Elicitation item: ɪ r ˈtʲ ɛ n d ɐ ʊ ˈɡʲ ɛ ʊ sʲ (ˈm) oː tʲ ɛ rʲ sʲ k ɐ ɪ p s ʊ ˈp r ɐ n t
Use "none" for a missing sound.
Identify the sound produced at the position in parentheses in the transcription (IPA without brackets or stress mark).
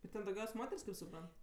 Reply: m